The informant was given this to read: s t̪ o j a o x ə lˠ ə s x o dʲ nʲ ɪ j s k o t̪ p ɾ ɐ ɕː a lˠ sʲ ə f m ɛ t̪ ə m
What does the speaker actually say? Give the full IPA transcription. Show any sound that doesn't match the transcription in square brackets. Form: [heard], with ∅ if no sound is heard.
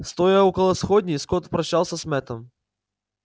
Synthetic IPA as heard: s t̪ o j a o [k] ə lˠ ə s x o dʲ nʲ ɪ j s k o t̪ p ɾ ɐ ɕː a lˠ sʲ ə [s] m ɛ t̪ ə m